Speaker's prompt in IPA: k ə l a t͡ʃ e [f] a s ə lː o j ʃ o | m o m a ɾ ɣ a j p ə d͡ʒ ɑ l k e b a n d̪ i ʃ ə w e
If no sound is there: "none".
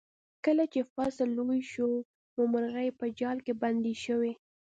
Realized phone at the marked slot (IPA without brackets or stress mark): f